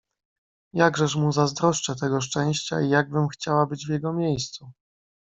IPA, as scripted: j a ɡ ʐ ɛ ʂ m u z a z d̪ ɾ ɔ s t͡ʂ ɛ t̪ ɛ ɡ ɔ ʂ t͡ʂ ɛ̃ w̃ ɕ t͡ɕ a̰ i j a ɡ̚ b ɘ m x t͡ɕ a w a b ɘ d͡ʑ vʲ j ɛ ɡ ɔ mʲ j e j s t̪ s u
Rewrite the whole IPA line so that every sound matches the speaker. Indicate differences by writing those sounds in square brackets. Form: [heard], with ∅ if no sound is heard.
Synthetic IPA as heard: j a ɡ ʐ ɛ ʂ m u z a z d̪ ɾ ɔ [ʂ] t͡ʂ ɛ t̪ ɛ ɡ ɔ ʂ t͡ʂ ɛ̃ w̃ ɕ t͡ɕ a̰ i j a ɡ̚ b ɘ m x t͡ɕ a w a b ɘ d͡ʑ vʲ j ɛ ɡ ɔ mʲ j e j s t̪ s u